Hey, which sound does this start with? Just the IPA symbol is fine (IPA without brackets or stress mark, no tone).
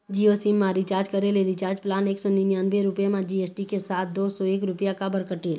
d͡ʒ